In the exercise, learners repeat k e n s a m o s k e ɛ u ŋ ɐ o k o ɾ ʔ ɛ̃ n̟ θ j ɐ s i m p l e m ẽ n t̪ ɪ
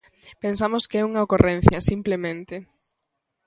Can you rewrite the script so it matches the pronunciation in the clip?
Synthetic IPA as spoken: p e n s a m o s k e ɛ u ŋ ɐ o k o r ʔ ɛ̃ n̟ θ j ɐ s i m p l e m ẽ n t̪ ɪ